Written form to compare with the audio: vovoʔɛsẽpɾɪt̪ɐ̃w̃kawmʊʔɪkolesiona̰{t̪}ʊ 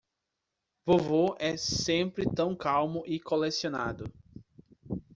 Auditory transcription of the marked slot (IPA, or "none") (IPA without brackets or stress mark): d̪